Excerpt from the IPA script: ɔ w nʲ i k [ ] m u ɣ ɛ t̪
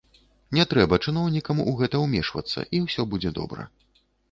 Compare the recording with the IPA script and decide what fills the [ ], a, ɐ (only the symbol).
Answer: ɐ